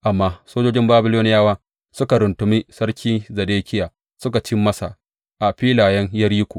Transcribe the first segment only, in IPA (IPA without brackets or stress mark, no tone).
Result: ʔ